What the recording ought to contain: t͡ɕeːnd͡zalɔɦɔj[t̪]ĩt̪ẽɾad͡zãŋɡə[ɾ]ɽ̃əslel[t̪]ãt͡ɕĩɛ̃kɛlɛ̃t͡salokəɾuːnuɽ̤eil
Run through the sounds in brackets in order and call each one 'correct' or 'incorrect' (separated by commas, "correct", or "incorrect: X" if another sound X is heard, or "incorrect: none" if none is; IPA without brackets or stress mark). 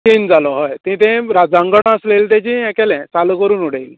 correct, incorrect: none, correct